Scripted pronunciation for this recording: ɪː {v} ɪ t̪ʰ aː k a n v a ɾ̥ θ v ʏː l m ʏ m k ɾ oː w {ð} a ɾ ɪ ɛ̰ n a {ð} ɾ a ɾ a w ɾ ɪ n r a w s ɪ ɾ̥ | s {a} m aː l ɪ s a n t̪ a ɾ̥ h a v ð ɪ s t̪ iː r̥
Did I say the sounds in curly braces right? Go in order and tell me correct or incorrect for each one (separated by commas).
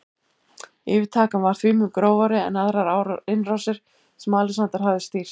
correct, incorrect, correct, incorrect